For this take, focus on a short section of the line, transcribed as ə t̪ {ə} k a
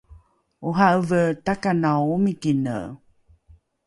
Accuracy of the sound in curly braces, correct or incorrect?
incorrect